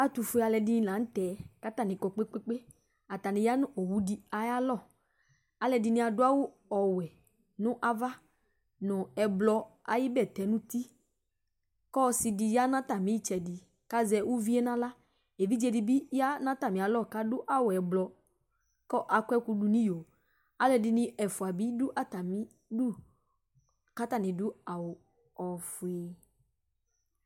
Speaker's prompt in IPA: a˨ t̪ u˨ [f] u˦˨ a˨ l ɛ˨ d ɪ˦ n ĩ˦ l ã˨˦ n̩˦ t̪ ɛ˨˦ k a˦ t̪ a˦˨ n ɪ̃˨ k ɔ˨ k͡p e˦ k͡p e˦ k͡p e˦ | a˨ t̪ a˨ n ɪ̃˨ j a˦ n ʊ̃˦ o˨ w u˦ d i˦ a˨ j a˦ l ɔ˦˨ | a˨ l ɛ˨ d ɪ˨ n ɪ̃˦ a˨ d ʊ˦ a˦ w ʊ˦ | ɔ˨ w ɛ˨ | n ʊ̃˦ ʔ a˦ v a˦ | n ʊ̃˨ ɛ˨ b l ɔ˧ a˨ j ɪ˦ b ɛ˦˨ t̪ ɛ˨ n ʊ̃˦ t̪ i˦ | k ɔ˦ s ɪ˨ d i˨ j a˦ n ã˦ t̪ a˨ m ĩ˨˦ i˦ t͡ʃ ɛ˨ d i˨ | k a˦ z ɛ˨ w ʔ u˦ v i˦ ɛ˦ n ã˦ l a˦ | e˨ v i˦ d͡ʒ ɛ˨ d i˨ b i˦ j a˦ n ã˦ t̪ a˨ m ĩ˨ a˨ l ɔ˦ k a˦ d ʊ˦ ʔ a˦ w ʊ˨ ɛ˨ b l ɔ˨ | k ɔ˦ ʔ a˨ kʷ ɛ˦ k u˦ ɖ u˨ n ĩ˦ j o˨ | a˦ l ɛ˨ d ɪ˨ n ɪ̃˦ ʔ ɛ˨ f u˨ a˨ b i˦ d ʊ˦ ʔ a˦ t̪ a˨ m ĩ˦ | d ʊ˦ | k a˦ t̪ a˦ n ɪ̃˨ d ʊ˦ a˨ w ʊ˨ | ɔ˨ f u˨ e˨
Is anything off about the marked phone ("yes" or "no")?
no